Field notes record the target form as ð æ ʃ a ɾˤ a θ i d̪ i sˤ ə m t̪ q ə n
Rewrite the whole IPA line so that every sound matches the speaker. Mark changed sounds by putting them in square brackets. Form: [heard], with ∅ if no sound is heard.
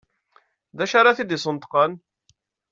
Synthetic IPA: ð æ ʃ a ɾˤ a θ i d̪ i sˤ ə [n] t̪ q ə n